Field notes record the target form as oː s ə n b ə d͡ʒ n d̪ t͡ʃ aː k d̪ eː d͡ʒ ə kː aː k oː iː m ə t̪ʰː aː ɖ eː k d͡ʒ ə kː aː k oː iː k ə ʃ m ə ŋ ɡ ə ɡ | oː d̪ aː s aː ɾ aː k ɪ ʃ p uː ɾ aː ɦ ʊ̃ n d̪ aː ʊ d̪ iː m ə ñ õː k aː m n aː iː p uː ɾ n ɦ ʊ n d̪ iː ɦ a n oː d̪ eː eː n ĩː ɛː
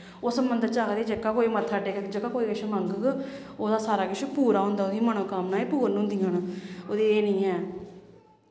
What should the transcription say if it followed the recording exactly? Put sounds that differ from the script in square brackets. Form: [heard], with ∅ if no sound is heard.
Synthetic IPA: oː s ə [m] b ə [∅] n d̪ t͡ʃ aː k d̪ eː d͡ʒ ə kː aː k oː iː m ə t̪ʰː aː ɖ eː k d͡ʒ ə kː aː k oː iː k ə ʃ m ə ŋ ɡ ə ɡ | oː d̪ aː s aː ɾ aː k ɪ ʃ p uː ɾ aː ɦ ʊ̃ n d̪ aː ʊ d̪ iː m ə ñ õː k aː m n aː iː p uː ɾ n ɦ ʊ n d̪ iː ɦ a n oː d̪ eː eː n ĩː ɛː